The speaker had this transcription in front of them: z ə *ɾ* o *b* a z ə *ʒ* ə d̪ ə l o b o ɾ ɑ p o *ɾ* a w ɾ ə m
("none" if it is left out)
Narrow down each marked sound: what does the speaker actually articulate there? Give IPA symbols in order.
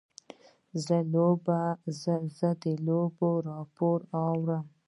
l, b, z, ɾ

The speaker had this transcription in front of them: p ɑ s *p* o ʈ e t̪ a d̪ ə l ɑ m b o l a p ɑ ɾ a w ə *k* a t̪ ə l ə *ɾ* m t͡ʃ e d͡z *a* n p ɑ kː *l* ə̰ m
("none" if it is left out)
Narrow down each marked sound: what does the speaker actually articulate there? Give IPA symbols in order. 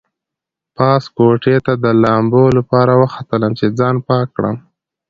k, x, none, ɑ, ɽ

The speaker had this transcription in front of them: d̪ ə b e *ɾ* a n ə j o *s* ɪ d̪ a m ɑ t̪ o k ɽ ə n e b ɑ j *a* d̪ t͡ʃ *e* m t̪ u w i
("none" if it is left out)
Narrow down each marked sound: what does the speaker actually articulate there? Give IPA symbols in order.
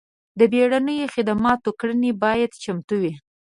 ɽ, x, a, a

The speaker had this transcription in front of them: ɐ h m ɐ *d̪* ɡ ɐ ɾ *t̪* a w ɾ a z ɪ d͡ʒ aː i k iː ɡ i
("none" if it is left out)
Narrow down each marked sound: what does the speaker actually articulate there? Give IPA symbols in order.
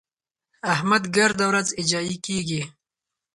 d̪, d̪

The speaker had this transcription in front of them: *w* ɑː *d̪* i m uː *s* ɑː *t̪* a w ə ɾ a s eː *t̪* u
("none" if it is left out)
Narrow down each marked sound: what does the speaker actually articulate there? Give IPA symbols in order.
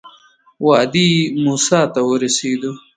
w, d̪, s, t̪, d̪

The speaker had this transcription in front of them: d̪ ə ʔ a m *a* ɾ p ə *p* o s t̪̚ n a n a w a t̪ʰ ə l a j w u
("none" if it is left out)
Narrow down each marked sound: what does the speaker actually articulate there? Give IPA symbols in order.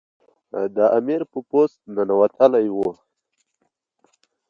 i, p

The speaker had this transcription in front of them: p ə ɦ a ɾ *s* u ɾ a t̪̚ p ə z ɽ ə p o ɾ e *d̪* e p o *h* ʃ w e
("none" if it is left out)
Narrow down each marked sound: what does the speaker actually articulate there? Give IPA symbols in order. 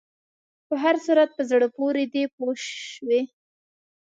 s, d̪, ʃ

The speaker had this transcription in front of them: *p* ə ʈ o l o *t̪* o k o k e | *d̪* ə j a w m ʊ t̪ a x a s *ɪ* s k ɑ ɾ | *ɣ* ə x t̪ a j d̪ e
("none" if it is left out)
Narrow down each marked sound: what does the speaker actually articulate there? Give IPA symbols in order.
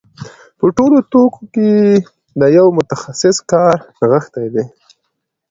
p, t̪, d̪, ɪ, ɣ

